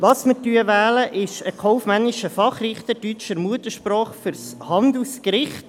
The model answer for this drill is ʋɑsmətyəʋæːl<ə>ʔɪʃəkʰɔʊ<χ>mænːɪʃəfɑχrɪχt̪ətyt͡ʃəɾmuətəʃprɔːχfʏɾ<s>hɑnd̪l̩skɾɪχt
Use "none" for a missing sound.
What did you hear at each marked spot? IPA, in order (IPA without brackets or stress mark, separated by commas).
ə, f, s